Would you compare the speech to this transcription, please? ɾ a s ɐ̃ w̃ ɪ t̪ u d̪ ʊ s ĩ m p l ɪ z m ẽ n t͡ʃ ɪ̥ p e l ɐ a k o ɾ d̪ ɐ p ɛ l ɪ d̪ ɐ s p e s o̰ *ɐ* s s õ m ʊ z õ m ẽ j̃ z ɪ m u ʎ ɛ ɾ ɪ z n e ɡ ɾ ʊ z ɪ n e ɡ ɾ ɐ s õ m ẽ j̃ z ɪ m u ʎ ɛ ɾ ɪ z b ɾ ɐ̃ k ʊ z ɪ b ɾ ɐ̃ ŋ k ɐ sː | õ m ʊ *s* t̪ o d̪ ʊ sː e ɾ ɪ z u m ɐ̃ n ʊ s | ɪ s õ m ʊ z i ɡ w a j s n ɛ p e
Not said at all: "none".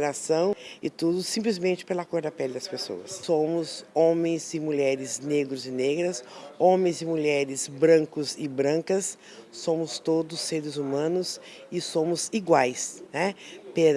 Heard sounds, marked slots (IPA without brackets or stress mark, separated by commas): ɐ, s